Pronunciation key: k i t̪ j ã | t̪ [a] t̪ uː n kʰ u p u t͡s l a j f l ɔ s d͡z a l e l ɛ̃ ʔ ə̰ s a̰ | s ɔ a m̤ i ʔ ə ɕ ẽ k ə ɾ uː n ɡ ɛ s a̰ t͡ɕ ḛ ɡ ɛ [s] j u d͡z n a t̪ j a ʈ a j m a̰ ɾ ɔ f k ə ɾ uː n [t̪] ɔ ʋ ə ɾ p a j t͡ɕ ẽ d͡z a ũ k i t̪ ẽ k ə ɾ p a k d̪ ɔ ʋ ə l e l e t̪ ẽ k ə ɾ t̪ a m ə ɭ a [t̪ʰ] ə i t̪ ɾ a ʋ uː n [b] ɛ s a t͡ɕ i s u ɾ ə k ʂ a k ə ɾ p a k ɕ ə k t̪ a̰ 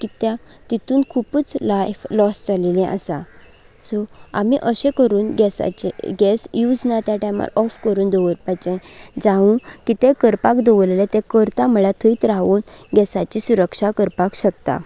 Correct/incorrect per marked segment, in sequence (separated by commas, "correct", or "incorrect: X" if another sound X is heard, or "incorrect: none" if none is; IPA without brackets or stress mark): incorrect: i, correct, incorrect: d̪, correct, incorrect: ɡ